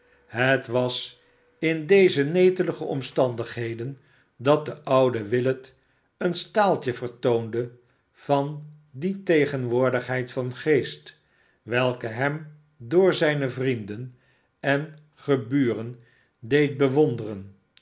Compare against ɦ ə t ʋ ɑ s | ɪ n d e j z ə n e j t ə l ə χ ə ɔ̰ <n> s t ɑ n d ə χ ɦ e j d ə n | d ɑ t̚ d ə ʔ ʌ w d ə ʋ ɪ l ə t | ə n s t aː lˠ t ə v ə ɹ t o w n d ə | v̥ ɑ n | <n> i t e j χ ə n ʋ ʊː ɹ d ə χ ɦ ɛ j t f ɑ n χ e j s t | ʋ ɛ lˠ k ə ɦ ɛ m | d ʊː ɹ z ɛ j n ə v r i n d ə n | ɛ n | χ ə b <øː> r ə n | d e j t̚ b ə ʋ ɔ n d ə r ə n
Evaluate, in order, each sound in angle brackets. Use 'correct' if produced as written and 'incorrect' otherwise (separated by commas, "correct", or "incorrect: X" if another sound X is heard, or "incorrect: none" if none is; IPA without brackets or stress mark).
incorrect: m, incorrect: d, incorrect: yː